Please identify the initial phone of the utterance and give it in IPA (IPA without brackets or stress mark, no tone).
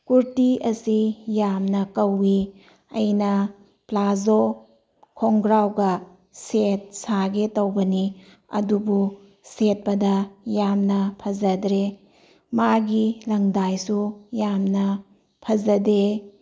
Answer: k